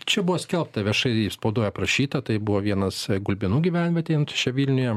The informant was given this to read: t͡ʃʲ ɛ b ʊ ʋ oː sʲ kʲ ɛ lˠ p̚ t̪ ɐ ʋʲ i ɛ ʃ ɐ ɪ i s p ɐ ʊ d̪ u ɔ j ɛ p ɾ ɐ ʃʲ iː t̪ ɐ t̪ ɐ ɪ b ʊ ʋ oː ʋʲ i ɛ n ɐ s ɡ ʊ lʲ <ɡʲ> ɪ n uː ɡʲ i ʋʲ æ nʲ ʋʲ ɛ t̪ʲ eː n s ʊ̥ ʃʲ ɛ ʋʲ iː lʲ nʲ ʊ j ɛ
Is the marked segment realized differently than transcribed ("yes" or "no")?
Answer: yes